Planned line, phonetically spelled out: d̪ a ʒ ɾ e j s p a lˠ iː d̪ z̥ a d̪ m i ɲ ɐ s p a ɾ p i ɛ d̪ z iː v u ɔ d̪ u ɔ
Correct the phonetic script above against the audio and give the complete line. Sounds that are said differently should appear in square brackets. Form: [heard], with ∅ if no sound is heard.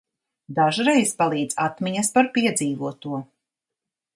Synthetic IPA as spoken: d̪ a ʒ ɾ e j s p a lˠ iː d̪ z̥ a [t̪] m i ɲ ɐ s p a ɾ p i ɛ d̪ z iː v u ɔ [t̪] u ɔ